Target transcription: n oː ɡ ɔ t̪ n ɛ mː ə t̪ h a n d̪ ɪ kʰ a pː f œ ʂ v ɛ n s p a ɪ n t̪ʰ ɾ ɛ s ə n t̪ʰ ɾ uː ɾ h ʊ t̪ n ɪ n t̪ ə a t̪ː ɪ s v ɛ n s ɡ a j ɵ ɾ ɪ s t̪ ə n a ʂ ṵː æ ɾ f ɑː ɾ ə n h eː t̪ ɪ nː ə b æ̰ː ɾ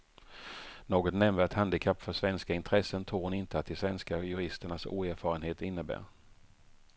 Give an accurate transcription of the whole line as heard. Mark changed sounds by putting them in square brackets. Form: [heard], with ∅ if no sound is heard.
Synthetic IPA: n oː ɡ ɔ t̪ n ɛ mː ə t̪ h a n d̪ ɪ kʰ a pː f œ ʂ v ɛ n s [k] a ɪ n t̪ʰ ɾ ɛ s ə n t̪ʰ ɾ uː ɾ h ʊ [∅] n ɪ n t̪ ə a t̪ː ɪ s v ɛ n s [k] a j ɵ ɾ ɪ s t̪ ə [ɳ] a [s] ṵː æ ɾ f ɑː ɾ ə n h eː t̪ ɪ nː ə b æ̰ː ɾ

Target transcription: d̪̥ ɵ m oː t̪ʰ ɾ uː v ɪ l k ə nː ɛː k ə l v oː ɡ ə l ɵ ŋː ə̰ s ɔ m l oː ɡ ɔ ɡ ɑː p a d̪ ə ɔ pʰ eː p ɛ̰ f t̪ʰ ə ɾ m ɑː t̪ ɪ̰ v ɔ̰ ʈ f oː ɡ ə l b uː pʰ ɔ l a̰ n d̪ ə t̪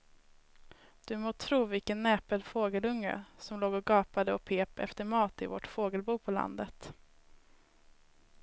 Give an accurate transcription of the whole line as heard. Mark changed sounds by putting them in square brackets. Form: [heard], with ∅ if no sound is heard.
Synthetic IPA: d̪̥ ɵ m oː t̪ʰ ɾ uː v ɪ l k ə nː ɛː [p] ə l [f] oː ɡ ə l ɵ ŋː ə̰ s ɔ m l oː ɡ ɔ ɡ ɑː p a d̪ ə ɔ pʰ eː p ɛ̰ f [t̪] ə ɾ m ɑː t̪ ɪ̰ v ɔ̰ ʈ f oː ɡ ə l b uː pʰ ɔ l a̰ n d̪ ə t̪

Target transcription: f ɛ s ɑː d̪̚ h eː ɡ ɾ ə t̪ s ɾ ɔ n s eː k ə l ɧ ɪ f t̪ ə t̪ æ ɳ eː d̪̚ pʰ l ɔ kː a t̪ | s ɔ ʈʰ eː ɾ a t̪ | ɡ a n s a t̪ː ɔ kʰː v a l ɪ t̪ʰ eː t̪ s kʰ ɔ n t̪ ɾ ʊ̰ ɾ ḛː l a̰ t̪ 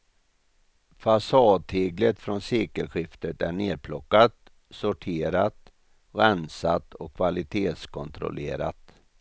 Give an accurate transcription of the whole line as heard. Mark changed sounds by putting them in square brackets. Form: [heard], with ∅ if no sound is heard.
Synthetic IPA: f [a] s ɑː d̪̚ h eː ɡ [l] ə t̪ [f] ɾ ɔ n s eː k ə l ɧ ɪ f t̪ ə t̪ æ ɳ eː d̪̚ pʰ l ɔ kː a t̪ | s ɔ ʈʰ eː ɾ a t̪ | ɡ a n s a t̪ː ɔ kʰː v a l ɪ t̪ʰ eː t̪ s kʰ ɔ n t̪ ɾ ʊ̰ [l] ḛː [ɾ] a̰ t̪

